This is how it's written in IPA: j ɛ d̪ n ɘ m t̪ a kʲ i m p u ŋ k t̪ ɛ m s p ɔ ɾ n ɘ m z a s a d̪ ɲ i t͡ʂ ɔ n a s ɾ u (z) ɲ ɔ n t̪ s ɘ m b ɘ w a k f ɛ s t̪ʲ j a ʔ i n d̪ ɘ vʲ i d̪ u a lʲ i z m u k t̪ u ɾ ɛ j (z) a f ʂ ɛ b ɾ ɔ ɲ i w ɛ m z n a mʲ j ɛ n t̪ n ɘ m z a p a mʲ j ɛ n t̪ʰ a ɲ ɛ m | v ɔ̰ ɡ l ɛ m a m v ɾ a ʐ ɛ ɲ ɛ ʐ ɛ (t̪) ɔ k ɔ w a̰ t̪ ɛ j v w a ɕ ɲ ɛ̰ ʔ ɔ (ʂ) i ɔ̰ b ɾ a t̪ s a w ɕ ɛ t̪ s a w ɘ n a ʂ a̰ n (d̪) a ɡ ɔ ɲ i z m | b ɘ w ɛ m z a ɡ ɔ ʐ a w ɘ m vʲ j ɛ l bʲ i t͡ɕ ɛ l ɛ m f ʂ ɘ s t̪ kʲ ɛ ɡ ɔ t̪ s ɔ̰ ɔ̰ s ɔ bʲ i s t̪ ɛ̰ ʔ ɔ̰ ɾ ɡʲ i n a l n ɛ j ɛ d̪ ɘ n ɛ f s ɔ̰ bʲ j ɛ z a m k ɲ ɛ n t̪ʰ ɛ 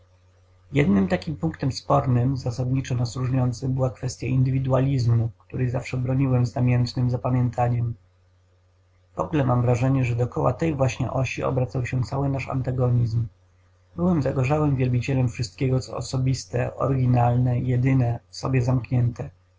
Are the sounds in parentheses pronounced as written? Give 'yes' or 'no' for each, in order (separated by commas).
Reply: no, yes, no, no, no